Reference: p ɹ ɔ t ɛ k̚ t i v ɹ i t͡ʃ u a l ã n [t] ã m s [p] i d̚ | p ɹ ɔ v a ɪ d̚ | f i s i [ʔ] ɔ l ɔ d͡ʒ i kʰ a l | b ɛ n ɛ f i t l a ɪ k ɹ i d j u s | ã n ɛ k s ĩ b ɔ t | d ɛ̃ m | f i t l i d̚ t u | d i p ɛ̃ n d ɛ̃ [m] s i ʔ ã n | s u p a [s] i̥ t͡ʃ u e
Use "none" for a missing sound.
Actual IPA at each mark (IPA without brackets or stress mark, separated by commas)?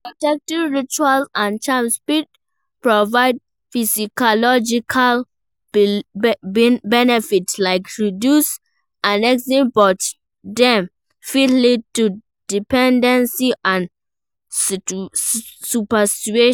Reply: t͡ʃ, p, k, n, s